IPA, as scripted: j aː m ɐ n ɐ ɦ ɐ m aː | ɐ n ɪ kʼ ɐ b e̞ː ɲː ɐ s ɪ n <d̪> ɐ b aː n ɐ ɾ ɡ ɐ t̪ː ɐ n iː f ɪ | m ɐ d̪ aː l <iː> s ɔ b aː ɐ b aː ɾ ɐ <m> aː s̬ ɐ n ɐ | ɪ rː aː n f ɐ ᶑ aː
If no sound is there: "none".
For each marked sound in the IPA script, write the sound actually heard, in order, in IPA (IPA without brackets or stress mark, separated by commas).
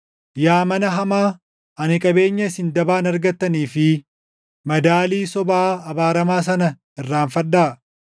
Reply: d̪, iː, m